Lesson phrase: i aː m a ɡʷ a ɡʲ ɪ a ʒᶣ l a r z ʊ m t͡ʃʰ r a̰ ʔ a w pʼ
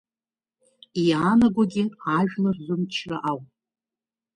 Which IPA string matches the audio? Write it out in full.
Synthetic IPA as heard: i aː n a ɡʷ a ɡʲ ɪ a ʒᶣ l a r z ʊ m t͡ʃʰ r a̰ ʔ a w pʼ